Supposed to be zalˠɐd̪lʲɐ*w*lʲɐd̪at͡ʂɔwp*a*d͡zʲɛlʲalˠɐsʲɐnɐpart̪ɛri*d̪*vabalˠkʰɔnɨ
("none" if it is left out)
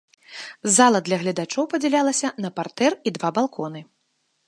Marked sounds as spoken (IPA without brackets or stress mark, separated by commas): ɣ, ɐ, d̪